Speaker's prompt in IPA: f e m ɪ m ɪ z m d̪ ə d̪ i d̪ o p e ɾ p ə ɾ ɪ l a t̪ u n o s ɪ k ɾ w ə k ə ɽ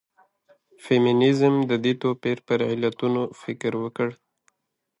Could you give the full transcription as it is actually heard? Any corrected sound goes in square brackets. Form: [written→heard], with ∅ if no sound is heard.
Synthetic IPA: f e m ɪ [m→n] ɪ z m d̪ ə d̪ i [d̪→t̪] o p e ɾ p ə ɾ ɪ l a t̪ u n o [s→f] ɪ k ɾ w ə k ə ɽ